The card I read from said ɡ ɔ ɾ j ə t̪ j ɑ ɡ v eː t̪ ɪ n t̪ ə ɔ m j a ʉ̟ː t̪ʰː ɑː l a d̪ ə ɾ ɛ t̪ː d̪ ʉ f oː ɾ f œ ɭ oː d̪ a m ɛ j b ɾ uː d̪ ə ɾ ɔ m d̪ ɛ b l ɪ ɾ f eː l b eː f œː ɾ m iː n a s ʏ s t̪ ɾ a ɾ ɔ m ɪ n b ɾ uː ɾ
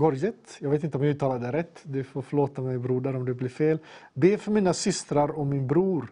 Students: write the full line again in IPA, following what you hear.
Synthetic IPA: ɡ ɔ ɾ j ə t̪ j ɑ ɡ v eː t̪ ɪ n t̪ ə ɔ m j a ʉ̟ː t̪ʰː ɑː l a d̪ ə ɾ ɛ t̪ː d̪ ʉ f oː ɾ f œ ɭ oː t̪ a m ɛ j b ɾ uː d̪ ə ɾ ɔ m d̪ ɛ b l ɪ ɾ f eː l b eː f œ ɾ m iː n a s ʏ s t̪ ɾ a ɾ ɔ m ɪ n b ɾ uː ɾ